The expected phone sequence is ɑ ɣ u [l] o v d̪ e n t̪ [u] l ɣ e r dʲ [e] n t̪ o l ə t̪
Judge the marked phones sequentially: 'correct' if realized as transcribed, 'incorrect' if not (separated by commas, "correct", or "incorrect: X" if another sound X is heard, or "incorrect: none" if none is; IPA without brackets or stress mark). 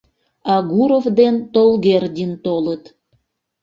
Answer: incorrect: ɾ, incorrect: o, incorrect: i